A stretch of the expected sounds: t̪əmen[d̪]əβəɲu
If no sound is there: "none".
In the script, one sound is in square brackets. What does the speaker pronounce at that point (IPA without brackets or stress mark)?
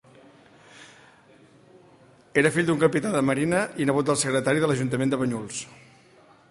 d̪